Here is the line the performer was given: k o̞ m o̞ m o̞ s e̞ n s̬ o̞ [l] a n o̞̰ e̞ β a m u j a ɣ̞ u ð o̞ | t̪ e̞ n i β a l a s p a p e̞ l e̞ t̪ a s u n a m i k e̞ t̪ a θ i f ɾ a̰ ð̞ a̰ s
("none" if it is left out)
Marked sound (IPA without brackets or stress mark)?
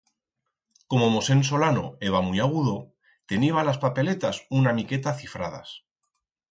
l